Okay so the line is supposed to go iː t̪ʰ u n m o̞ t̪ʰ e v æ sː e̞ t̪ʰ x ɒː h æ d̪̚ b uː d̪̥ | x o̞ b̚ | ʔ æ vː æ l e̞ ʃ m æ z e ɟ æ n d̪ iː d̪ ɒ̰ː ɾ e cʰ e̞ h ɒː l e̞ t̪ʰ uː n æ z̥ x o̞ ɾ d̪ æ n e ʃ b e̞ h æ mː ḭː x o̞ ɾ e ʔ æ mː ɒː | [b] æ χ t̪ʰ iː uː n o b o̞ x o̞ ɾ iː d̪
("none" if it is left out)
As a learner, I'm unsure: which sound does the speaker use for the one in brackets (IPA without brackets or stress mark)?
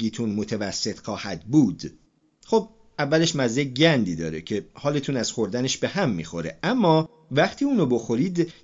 v